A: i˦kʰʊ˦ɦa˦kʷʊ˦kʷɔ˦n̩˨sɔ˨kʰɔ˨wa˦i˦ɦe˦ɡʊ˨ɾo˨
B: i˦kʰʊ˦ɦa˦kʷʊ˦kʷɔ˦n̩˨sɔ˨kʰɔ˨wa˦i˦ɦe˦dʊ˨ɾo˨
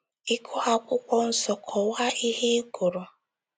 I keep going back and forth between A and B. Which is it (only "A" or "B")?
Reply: A